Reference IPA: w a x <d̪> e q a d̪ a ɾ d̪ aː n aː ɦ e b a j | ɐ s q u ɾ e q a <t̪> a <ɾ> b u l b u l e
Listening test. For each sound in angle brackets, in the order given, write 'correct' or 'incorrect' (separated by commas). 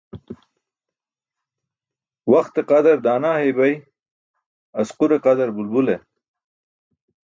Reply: incorrect, incorrect, correct